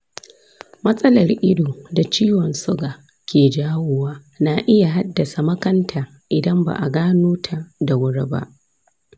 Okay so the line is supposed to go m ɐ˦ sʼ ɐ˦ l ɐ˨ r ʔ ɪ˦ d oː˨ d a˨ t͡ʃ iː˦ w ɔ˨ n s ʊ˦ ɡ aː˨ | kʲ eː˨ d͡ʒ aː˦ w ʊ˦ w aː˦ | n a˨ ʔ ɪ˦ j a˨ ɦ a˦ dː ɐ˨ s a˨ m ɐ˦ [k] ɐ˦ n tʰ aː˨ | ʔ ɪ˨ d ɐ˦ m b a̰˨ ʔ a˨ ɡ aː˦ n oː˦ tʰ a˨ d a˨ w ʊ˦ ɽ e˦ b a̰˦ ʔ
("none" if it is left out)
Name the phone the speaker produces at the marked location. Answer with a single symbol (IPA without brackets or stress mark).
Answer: k